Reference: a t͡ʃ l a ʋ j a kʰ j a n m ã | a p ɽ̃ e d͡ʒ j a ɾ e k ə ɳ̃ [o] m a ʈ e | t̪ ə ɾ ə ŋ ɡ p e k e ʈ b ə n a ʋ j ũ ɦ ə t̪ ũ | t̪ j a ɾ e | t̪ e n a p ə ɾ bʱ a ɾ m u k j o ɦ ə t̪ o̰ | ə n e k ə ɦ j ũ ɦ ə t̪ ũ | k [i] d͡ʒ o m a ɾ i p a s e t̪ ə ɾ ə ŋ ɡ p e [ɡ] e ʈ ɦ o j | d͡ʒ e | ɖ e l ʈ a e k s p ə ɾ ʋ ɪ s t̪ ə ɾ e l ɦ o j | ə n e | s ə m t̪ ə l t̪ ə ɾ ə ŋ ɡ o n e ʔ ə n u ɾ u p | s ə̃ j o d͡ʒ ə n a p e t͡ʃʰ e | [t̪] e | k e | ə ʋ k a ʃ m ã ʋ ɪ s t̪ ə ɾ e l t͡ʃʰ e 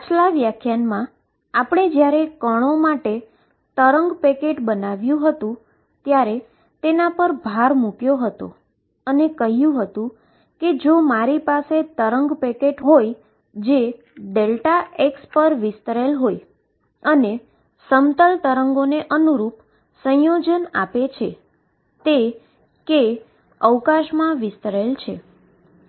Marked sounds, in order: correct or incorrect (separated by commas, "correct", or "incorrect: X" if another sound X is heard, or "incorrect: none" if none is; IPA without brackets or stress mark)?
correct, incorrect: e, incorrect: k, correct